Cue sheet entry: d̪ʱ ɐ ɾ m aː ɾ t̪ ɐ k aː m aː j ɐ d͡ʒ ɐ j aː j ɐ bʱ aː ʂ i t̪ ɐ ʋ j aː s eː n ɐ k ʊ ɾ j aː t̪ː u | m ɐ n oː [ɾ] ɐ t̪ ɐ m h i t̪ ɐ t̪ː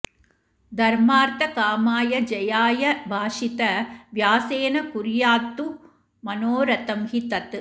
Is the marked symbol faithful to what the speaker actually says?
yes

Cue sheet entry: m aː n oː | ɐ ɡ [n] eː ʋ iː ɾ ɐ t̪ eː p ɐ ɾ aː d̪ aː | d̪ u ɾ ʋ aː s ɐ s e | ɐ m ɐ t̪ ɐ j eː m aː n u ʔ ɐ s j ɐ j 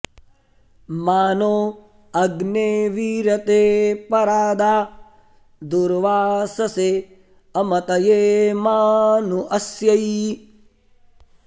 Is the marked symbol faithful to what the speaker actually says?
yes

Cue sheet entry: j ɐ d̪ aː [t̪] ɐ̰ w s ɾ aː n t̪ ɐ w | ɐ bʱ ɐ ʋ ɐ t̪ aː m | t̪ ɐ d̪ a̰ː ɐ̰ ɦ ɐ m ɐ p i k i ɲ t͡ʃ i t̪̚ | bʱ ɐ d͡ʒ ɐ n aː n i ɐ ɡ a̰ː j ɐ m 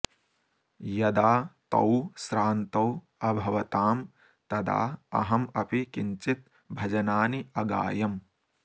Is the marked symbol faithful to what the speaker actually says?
yes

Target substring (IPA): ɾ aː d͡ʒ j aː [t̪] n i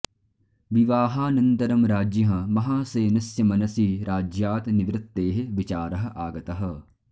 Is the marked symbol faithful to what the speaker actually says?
yes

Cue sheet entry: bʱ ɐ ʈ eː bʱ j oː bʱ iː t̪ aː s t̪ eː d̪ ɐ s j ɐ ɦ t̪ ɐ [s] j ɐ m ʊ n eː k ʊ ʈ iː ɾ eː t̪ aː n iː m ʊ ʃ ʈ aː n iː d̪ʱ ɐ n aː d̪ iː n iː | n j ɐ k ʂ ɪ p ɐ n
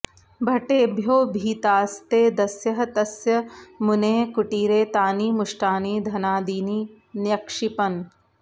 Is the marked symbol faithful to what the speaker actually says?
yes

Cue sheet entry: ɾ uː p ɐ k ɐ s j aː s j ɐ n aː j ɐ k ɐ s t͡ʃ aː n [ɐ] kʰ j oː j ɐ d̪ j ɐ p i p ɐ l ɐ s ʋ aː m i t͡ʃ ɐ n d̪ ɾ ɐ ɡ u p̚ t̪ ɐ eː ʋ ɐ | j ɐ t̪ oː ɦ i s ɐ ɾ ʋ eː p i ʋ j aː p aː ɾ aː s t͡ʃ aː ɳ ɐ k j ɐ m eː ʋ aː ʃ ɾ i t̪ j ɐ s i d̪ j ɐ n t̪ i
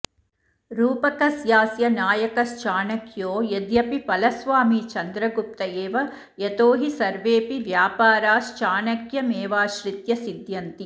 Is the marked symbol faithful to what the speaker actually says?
yes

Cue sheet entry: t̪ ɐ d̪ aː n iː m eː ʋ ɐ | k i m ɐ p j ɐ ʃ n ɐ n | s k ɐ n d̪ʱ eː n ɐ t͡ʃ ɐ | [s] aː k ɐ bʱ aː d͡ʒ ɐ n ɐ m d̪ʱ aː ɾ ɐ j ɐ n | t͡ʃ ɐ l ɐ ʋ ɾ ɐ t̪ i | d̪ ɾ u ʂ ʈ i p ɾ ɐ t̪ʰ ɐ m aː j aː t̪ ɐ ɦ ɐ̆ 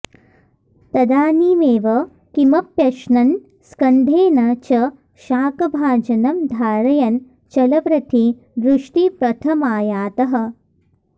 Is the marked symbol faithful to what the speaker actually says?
no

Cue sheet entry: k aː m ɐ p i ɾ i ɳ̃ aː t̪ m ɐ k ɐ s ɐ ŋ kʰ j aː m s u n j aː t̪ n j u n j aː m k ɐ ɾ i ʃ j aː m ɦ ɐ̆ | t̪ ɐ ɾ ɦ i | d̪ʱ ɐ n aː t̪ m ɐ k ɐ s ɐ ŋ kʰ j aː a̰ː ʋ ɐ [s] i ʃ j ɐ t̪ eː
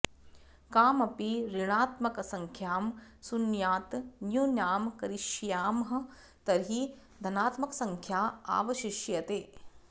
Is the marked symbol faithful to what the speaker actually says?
no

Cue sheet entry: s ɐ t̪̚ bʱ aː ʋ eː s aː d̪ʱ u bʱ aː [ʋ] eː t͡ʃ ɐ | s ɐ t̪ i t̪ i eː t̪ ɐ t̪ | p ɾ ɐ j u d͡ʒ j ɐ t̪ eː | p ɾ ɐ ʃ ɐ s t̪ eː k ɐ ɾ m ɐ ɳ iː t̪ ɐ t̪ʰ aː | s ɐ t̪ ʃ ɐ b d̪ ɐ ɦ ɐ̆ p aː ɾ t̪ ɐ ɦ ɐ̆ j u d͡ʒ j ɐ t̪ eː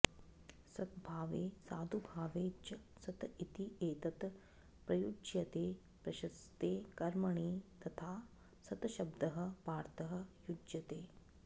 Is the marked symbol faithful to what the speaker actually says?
yes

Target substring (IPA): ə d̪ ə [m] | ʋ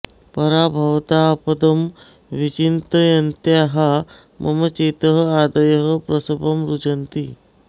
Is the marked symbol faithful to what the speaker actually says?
yes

